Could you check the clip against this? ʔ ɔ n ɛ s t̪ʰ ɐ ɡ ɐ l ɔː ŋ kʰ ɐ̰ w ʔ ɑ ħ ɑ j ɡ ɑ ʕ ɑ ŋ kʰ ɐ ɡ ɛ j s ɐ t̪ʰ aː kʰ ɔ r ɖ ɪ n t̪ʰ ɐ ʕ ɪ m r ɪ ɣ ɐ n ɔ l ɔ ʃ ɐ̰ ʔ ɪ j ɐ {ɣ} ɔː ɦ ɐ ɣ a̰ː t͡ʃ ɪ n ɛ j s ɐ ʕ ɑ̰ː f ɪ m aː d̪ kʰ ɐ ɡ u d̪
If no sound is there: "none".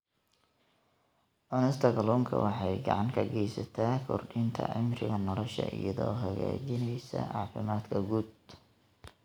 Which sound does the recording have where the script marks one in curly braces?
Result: ð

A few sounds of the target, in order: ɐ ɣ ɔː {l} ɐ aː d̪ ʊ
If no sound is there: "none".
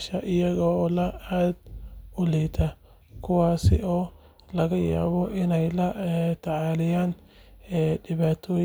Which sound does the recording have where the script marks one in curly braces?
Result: l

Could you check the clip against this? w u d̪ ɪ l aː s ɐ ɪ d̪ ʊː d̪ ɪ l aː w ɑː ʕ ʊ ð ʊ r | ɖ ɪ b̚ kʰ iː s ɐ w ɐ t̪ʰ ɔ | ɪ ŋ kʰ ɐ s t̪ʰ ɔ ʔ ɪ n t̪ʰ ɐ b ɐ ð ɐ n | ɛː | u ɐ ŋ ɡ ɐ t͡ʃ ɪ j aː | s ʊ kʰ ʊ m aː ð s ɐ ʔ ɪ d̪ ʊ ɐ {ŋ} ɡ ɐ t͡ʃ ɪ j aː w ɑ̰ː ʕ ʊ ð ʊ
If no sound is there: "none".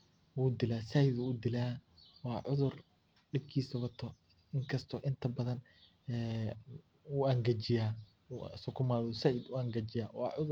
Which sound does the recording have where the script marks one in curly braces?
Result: ŋ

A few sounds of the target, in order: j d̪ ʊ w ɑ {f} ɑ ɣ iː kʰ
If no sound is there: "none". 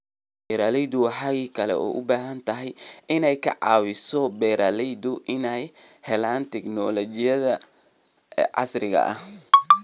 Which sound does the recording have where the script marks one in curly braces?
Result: ħ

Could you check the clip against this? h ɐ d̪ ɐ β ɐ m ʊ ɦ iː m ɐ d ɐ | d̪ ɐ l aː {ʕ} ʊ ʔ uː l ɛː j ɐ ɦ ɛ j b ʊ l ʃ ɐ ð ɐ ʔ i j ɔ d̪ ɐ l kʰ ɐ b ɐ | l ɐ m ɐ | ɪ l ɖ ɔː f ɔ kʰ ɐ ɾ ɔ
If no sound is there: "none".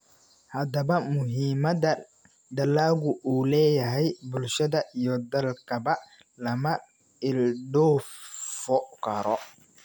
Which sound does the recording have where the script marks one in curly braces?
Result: ɣ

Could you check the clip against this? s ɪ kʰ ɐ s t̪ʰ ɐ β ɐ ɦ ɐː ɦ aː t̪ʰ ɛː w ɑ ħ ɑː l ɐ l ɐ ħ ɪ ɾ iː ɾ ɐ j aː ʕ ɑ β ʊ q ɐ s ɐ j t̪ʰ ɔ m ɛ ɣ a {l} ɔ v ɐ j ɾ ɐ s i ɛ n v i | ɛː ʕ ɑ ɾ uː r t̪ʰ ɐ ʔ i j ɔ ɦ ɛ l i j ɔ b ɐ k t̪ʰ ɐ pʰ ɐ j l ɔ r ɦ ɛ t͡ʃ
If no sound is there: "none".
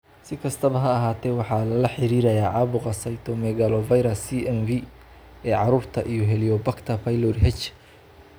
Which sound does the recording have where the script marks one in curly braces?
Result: l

